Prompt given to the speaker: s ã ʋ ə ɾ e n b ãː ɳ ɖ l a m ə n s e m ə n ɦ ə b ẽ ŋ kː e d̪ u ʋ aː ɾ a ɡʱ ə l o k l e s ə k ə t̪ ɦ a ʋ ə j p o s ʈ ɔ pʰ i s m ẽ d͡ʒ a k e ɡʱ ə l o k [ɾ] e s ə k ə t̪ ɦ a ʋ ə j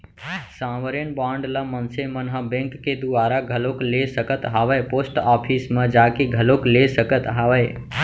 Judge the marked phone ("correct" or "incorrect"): incorrect